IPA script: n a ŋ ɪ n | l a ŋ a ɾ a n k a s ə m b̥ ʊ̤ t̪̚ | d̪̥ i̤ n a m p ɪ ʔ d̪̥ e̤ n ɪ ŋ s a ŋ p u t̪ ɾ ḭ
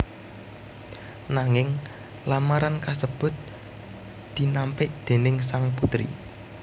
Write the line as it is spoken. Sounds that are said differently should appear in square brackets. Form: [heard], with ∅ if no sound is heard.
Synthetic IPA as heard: n a ŋ ɪ [ŋ] | l a [m] a ɾ a n k a s ə [∅] b̥ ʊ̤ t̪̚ | d̪̥ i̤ n a m p ɪ ʔ d̪̥ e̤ n ɪ ŋ s a ŋ p u t̪ ɾ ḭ